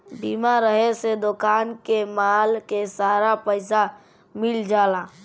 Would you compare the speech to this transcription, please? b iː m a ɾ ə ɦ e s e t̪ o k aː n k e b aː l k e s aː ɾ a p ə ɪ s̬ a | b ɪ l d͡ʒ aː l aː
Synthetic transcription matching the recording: b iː m a ɾ ə ɦ e s e d̪ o k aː n k e m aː l k e s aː ɾ a p ə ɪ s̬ a | m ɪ l d͡ʒ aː l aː

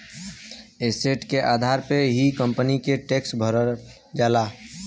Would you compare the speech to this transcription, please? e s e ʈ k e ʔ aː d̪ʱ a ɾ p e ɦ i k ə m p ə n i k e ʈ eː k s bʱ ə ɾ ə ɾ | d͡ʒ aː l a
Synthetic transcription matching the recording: e s e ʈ k e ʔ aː d̪ʱ a ɾ p e ɦ i k ə m p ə n i k e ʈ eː k s bʱ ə ɾ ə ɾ | d͡ʒ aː l a

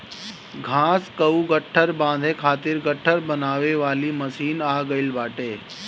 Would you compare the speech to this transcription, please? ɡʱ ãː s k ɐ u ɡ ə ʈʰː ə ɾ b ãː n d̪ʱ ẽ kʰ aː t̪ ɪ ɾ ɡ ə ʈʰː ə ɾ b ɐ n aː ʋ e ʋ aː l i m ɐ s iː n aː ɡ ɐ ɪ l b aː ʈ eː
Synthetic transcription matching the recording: ɡʱ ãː s k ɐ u ɡ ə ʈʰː ə ɾ b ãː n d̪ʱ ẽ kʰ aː t̪ ɪ ɾ ɡ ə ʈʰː ə ɾ b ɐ n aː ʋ e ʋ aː l i m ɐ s iː n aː ɡ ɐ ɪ l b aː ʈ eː

